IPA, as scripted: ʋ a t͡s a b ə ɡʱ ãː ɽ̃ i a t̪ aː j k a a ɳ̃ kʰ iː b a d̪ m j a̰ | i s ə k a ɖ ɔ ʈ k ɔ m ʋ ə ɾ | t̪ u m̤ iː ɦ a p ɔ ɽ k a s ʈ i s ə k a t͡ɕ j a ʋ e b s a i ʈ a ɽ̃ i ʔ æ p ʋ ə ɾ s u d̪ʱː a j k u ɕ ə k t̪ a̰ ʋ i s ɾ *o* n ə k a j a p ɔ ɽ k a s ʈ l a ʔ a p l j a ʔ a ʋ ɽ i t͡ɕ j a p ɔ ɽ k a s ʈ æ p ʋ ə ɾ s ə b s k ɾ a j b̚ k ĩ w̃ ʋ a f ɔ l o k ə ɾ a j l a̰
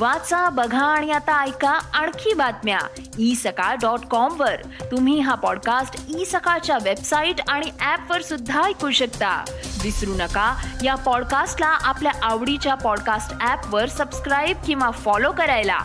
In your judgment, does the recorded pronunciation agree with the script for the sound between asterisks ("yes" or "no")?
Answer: no